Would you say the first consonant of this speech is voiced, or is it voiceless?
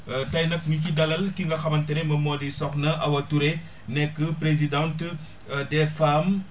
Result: voiceless